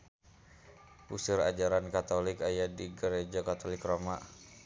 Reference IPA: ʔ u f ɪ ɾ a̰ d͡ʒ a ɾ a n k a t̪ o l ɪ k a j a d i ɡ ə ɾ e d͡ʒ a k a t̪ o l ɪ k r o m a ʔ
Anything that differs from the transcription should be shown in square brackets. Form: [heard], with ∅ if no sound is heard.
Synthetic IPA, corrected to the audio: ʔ u [s] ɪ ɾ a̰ d͡ʒ a ɾ a n k a t̪ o l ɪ k a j a d i ɡ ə ɾ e d͡ʒ a k a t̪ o l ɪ k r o m a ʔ